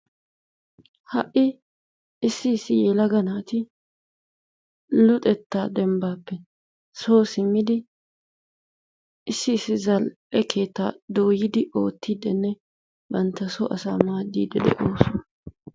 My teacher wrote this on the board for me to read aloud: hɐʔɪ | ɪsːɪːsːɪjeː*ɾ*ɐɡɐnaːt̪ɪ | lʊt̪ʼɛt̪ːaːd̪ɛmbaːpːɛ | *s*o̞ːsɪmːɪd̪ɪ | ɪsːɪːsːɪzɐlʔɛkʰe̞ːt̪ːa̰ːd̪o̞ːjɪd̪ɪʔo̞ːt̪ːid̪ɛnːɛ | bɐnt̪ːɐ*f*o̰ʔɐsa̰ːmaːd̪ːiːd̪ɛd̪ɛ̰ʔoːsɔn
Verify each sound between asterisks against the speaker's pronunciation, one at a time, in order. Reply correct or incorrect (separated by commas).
incorrect, correct, incorrect